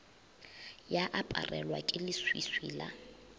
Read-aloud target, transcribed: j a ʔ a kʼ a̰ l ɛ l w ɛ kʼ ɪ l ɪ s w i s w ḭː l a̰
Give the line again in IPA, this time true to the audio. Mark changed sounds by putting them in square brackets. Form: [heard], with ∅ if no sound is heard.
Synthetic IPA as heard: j a ʔ a [pʼ] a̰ [r] ɛ l w [a] kʼ ɪ l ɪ s w i s w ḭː l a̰